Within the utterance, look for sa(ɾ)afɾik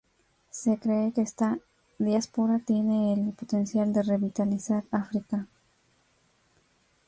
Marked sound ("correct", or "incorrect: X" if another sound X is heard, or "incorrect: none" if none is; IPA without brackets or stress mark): correct